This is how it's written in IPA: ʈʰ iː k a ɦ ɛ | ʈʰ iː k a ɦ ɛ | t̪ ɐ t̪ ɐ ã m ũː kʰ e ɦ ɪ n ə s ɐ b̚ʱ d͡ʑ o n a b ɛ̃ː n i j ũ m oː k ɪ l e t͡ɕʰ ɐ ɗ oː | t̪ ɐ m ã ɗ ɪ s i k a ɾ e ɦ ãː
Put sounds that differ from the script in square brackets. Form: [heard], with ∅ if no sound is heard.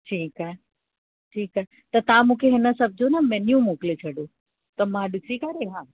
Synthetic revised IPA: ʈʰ iː k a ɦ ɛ | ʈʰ iː k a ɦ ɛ | t̪ ɐ t̪ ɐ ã m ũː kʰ e ɦ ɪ n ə s ɐ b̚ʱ d͡ʑ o n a [m] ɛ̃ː n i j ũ m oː k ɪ l e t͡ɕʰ ɐ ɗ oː | t̪ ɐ m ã ɗ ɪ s i k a ɾ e ɦ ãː